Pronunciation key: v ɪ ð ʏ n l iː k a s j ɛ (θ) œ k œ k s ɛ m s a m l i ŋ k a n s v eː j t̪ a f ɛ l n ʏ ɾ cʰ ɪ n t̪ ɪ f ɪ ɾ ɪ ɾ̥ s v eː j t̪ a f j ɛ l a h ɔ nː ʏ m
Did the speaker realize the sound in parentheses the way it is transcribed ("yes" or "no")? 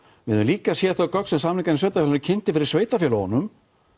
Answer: yes